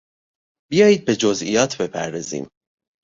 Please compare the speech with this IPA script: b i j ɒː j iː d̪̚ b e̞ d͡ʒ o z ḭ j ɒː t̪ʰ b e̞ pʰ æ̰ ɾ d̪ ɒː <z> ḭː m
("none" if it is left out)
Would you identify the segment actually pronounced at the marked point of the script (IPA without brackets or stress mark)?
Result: z